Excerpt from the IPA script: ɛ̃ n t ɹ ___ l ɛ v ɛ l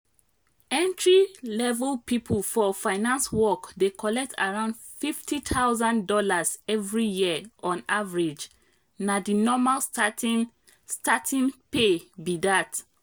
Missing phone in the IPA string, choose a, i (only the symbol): i